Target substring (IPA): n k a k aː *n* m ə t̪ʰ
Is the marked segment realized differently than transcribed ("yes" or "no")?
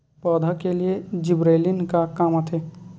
yes